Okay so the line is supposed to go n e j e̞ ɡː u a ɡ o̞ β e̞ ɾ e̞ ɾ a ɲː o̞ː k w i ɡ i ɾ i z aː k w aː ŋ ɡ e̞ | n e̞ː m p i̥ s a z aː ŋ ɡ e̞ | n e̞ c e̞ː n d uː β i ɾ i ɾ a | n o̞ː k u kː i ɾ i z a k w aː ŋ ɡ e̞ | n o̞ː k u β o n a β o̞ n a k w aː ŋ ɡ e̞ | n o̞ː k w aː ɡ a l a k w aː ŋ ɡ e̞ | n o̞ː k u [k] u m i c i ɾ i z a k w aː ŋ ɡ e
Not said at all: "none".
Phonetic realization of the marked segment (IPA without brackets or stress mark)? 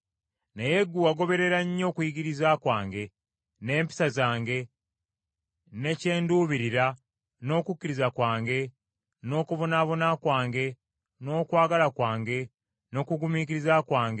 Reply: ɡ